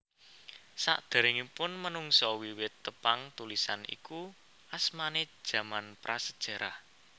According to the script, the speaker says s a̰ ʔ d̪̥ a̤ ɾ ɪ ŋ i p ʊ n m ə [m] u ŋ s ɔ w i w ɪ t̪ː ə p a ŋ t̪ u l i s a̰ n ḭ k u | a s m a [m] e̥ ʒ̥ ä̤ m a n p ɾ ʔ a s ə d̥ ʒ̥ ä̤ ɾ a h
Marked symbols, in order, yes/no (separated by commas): no, no